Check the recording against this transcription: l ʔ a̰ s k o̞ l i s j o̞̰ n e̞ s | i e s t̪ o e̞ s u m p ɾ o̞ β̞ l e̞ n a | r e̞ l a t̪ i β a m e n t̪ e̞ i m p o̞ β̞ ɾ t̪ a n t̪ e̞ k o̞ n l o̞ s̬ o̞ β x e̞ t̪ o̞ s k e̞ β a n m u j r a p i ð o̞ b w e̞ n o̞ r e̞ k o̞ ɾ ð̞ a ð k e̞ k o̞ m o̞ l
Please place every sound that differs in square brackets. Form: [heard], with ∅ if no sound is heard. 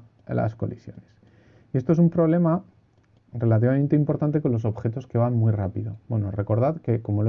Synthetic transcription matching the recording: l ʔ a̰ s k o̞ l i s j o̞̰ n e̞ s | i e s t̪ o e̞ s u m p ɾ o̞ β̞ l e̞ [m] a | r e̞ l a t̪ i β a m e n t̪ e̞ i m p o̞ [∅] ɾ t̪ a n t̪ e̞ k o̞ n l o̞ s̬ o̞ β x e̞ t̪ o̞ s k e̞ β a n m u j r a p i ð o̞ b w e̞ n o̞ r e̞ k o̞ ɾ ð̞ a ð k e̞ k o̞ m o̞ l